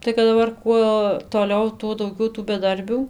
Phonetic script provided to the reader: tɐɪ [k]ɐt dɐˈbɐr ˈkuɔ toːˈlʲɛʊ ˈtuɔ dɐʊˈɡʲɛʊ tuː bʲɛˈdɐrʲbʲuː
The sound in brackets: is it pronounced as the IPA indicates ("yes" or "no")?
yes